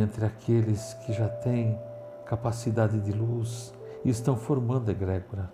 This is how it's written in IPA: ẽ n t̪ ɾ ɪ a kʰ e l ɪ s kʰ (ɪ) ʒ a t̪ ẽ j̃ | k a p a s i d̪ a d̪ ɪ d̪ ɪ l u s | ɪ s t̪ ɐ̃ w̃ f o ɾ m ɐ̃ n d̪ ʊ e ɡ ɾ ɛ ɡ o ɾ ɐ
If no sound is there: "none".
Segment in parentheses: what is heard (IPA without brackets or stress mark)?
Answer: ɪ